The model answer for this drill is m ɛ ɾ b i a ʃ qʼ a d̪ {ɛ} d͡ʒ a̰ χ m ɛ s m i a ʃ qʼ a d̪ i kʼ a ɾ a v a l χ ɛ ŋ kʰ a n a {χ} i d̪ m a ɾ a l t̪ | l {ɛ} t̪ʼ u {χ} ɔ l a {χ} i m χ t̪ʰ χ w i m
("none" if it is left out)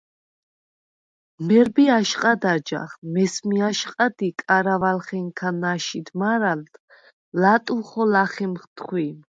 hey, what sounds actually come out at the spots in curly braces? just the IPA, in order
a, ʃ, a, χ, χ

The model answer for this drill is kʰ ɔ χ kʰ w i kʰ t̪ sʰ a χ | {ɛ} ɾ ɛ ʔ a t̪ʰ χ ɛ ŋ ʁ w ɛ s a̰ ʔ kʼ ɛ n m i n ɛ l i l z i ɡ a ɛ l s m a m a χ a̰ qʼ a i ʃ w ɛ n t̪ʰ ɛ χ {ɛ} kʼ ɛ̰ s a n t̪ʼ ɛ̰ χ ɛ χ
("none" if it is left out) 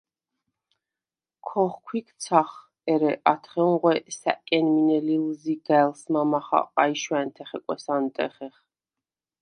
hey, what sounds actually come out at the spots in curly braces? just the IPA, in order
ɛ, ɛ

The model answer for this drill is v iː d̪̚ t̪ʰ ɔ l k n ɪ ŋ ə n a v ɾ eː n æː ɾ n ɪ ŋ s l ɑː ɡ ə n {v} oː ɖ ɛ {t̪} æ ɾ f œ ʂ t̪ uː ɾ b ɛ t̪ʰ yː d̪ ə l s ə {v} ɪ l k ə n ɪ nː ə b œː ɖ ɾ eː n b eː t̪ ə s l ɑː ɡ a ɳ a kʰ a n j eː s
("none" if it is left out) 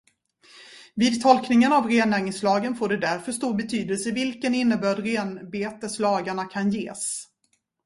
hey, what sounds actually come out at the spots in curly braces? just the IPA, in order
f, d̪, v

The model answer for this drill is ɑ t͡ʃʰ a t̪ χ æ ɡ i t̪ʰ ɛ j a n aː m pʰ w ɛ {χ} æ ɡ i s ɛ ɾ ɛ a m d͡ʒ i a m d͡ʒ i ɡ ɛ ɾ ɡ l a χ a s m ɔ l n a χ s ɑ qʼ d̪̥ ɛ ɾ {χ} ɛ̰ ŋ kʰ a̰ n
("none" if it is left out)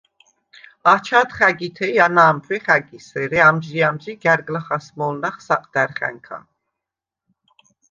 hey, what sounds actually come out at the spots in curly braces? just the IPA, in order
χ, χ

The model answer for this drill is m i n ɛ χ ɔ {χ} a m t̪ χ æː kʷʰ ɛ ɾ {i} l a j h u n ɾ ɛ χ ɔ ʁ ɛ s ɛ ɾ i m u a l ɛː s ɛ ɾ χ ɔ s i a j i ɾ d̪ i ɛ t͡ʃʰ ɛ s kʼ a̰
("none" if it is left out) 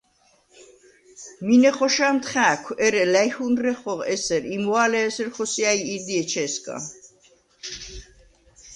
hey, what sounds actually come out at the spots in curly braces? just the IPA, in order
ʃ, ɛ

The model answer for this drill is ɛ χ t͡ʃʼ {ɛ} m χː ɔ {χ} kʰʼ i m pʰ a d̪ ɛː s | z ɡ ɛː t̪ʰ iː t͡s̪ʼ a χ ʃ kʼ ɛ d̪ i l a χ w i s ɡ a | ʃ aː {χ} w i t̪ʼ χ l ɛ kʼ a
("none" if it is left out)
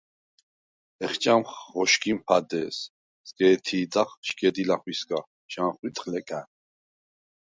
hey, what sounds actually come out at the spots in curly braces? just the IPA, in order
a, ʃ, χ

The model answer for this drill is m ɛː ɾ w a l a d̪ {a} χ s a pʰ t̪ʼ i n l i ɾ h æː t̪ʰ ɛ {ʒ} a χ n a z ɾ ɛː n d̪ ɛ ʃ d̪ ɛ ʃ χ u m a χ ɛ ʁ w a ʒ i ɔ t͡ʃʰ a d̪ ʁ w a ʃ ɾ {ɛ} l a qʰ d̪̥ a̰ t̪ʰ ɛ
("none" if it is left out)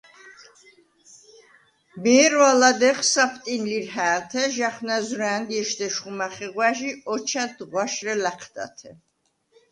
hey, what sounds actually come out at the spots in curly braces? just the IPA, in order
ɛ, ʒ, ɛ

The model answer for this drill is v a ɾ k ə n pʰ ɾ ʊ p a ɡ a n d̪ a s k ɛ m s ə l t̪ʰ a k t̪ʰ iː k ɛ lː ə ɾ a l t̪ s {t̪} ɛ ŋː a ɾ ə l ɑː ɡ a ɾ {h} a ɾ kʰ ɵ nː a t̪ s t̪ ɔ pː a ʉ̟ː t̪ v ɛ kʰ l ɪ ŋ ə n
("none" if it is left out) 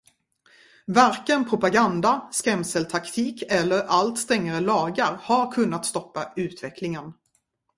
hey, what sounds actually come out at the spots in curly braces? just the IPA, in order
t̪, h

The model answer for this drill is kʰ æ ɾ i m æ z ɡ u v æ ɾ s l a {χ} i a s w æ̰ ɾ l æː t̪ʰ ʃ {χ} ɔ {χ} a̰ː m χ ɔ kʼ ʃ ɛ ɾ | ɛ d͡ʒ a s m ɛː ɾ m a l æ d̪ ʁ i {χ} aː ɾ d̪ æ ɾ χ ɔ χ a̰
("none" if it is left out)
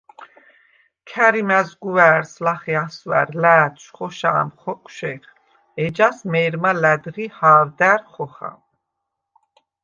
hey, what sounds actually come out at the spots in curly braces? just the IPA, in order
χ, χ, ʃ, h

